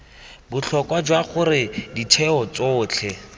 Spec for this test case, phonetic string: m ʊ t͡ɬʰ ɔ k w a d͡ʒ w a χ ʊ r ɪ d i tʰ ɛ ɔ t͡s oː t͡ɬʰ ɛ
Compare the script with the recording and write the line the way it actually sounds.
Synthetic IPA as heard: b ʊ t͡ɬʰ ɔ k w a d͡ʒ w a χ ʊ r ɪ d i tʰ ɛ ɔ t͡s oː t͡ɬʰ ɛ